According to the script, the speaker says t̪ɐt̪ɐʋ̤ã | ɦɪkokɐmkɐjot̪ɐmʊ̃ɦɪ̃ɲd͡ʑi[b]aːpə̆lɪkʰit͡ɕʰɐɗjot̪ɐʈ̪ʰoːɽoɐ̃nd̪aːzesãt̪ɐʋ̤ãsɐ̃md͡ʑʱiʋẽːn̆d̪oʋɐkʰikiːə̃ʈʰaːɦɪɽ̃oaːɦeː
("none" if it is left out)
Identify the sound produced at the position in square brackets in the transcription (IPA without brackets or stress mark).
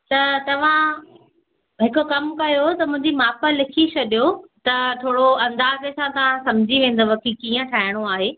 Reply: m